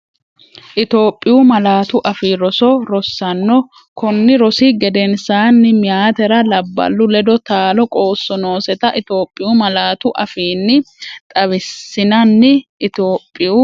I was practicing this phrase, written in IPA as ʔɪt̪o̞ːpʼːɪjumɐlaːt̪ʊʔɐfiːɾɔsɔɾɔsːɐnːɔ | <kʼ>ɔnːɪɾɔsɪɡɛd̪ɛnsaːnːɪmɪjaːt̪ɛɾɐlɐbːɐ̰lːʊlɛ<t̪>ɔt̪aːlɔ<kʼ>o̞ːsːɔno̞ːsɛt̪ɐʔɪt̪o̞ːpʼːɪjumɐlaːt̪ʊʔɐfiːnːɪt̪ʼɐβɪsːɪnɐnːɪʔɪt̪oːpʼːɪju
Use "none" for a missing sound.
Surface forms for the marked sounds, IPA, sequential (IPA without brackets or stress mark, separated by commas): k, d̪, kʼ